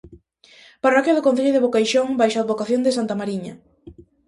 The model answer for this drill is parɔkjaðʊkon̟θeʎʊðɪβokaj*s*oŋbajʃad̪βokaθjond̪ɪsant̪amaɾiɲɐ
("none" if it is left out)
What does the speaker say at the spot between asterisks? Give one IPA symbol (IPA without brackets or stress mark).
ʃ